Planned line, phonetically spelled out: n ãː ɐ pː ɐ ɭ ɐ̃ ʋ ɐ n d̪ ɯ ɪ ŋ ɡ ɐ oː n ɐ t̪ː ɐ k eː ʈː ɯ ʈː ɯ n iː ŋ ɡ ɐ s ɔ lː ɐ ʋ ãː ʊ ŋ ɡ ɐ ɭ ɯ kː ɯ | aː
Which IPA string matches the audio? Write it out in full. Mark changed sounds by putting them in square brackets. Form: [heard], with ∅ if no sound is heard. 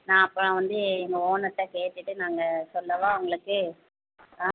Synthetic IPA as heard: n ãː ɐ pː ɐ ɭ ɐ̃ ʋ ɐ n d̪ ɯ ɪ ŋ ɡ ɐ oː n ɐ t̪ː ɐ k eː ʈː ɯ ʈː ɯ n [aː] ŋ ɡ ɐ s ɔ lː ɐ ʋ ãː ʊ ŋ ɡ ɐ ɭ ɯ kː ɯ | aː